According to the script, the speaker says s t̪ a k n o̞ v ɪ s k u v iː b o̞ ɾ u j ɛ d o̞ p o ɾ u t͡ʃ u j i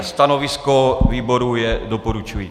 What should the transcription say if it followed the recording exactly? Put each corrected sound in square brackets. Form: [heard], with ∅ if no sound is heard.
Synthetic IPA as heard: s t̪ a [∅] n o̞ v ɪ s k [o] v iː b o̞ ɾ u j ɛ d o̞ p o ɾ u t͡ʃ u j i

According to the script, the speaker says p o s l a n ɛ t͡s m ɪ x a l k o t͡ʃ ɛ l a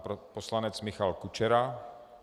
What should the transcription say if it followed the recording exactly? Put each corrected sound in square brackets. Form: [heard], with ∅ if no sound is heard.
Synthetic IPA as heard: p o s l a n ɛ t͡s m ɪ x a l k [u] t͡ʃ ɛ [ɾ] a

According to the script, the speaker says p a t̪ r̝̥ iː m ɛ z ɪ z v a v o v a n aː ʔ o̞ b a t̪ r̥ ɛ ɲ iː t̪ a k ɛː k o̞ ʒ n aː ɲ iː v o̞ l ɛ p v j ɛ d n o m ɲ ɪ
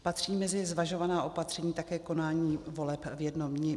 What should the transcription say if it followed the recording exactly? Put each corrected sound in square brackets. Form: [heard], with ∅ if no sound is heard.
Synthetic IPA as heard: p a t̪ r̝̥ iː m ɛ z ɪ z v a [ʒ] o v a n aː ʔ o̞ [p] a t̪ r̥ ɛ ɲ iː t̪ a k ɛː k o̞ [∅] n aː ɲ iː v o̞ l ɛ p v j ɛ d n o m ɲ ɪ

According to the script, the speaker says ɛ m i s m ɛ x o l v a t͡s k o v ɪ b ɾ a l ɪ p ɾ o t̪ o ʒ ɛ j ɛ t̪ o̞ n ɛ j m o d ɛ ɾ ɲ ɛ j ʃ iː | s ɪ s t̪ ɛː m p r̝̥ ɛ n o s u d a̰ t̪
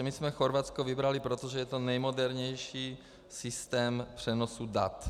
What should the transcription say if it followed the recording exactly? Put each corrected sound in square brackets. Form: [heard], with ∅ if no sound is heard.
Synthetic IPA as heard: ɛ m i s m ɛ x o [ɾ] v a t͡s k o v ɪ b ɾ a l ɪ p ɾ o t̪ o ʒ ɛ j ɛ t̪ o̞ n ɛ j m o d ɛ ɾ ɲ ɛ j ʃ iː | s ɪ s t̪ ɛː m p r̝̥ ɛ n o s u d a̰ t̪

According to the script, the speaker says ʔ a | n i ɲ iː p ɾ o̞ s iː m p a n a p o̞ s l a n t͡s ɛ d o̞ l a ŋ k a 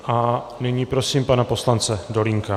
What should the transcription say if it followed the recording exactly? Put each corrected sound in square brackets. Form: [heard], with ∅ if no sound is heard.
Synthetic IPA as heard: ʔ a | n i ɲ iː p ɾ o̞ s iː m p a n a p o̞ s l a n t͡s ɛ d o̞ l [i] ŋ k a

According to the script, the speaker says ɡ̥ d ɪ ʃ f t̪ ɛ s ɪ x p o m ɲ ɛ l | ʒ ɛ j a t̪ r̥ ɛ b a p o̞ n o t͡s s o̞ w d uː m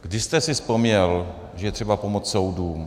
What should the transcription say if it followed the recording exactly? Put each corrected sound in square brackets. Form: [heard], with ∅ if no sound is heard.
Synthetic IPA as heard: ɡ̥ d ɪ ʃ [s] t̪ ɛ s ɪ [s] p o m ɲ ɛ l | ʒ ɛ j [ɛ] t̪ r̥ ɛ b a p o̞ [m] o t͡s s o̞ w d uː m

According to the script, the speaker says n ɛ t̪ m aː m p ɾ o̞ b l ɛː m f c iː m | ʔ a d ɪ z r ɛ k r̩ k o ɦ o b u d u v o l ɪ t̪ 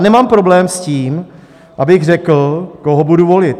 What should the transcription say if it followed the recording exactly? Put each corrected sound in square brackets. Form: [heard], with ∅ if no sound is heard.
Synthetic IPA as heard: n ɛ [∅] m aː m p ɾ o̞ b l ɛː m [s] c iː m | ʔ a [b] ɪ [ɣ] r ɛ k [l̩] k o ɦ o b u d u v o l ɪ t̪

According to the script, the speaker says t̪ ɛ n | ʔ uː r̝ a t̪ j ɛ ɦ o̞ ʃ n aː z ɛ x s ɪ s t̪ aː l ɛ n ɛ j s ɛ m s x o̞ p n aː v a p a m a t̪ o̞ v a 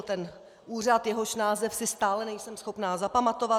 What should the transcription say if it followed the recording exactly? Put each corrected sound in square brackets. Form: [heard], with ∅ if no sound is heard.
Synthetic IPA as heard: t̪ ɛ n | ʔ uː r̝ a t̪ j ɛ ɦ o̞ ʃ n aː z ɛ [f] s ɪ s t̪ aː l ɛ n ɛ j s ɛ m s x o̞ p n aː [z] a p a m a t̪ o̞ v a

